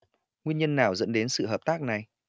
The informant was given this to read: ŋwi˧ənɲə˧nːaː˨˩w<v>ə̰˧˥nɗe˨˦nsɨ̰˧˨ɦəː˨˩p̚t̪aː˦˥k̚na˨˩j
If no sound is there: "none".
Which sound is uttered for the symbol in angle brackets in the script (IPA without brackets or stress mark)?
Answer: z